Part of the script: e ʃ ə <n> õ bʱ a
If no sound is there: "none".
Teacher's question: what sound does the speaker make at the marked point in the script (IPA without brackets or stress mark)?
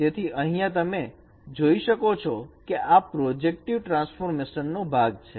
nː